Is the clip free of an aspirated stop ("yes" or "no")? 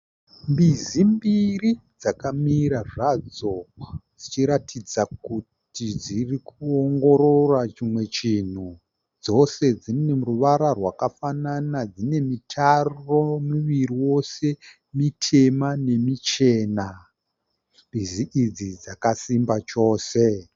no